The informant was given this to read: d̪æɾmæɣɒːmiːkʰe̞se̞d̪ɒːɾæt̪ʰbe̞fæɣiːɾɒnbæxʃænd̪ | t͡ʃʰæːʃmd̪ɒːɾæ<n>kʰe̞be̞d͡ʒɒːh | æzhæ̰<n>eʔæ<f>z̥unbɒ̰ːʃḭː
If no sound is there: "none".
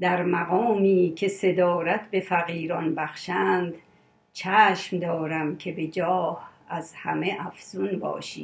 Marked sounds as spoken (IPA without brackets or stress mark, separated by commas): m, m, f